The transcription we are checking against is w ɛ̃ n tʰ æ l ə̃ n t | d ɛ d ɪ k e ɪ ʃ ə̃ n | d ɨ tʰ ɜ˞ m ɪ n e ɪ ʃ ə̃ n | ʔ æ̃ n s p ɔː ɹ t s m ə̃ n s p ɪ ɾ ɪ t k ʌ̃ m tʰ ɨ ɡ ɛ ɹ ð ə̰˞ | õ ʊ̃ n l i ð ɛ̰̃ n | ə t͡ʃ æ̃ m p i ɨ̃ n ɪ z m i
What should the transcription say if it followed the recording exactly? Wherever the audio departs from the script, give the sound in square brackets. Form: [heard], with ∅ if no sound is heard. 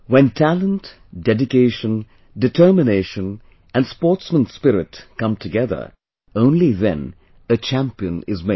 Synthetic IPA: w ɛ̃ n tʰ æ l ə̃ n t | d ɛ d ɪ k e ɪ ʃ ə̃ n | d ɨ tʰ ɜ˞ m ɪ n e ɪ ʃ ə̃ n | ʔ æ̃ n s p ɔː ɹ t s m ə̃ n s p ɪ ɾ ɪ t k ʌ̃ m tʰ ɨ ɡ ɛ [∅] ð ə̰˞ | õ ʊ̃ n l i ð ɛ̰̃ n | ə t͡ʃ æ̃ m p i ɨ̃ n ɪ z m [e]